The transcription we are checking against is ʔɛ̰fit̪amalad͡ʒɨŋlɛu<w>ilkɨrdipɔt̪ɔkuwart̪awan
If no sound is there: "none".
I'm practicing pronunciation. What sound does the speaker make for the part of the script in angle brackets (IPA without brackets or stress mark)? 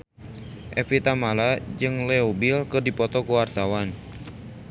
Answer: b